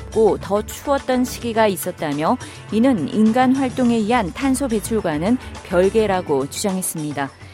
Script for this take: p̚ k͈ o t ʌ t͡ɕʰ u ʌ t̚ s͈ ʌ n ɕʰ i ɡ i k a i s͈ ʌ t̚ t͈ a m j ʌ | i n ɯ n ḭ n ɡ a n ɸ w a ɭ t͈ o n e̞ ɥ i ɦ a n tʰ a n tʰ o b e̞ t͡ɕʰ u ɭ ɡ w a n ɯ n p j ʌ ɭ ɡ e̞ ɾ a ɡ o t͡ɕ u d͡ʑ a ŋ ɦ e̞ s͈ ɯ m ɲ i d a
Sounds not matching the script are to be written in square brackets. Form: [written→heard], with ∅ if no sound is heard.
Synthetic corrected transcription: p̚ k͈ o t ʌ t͡ɕʰ u ʌ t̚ [s͈→t͈] ʌ n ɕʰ i ɡ i [k→ɡ] a i s͈ ʌ t̚ t͈ a m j ʌ | i n ɯ n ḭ n ɡ a n ɸ w a ɭ t͈ o [n→ŋ] e̞ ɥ i ɦ a n tʰ a n [tʰ→sʰ] o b e̞ t͡ɕʰ u ɭ ɡ w a n ɯ n p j ʌ ɭ ɡ e̞ ɾ a ɡ o t͡ɕ u d͡ʑ a ŋ ɦ e̞ s͈ ɯ m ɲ i d a